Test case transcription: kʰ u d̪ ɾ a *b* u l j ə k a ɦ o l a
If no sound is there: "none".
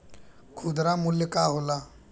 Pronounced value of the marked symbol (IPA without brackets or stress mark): m